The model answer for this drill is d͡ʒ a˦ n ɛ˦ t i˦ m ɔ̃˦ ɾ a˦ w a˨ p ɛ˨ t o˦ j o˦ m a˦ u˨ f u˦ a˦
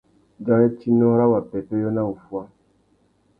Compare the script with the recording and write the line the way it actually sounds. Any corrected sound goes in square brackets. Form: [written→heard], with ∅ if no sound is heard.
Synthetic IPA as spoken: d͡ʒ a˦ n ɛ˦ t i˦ [m→n] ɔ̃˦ ɾ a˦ w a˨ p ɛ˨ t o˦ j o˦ [m→n] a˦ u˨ f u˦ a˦